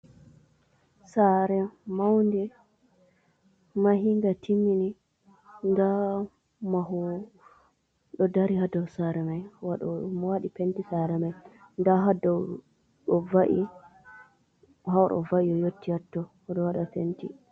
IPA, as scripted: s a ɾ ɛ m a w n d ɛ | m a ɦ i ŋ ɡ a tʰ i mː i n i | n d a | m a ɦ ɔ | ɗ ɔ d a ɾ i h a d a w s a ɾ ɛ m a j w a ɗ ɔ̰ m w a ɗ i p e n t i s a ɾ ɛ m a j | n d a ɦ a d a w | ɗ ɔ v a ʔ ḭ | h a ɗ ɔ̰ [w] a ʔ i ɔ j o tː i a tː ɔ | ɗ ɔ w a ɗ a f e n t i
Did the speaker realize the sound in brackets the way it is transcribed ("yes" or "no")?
no